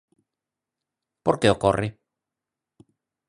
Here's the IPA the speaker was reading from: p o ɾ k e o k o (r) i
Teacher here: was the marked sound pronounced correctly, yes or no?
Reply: yes